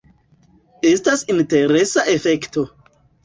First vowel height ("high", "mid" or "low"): mid